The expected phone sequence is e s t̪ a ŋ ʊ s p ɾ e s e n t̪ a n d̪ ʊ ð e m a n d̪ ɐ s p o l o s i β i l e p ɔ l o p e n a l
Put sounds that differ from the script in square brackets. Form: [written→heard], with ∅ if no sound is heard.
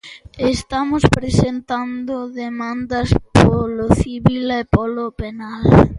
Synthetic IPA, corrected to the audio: e s t̪ a [ŋ→m] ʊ s p ɾ e s e n t̪ a n d̪ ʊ ð e m a n d̪ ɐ s p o l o [s→θ] i β i l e p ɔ l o p e n a l